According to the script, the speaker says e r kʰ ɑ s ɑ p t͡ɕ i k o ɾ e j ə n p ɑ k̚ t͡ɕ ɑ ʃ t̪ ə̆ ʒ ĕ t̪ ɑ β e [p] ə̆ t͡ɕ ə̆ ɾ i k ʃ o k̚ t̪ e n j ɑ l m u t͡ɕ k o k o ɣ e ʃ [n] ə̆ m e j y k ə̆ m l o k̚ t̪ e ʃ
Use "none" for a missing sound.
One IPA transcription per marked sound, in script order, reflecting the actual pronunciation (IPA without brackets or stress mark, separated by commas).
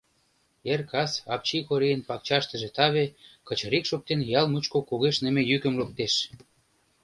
k, n